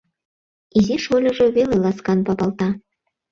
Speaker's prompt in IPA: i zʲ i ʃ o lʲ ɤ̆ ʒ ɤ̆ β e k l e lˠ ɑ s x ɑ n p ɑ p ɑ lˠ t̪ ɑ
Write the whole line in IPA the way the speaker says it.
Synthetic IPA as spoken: i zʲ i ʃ o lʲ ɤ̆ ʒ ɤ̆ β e l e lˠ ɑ s k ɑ n p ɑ p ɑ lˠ t̪ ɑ